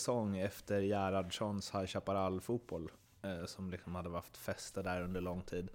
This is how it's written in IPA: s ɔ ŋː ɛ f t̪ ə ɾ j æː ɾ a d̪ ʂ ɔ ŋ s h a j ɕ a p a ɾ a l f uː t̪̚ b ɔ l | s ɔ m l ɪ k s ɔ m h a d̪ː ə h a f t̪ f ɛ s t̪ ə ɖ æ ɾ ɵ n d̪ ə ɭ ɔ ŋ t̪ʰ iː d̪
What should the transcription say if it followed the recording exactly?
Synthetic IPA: s ɔ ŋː ɛ f t̪ ə ɾ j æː ɾ a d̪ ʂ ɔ n s h a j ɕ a p a ɾ a l f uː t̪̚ b ɔ l | s ɔ m l ɪ k s ɔ m h a d̪ː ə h a f t̪ f ɛ s t̪ ə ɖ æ ɾ ɵ n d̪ ə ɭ ɔ ŋ t̪ʰ iː d̪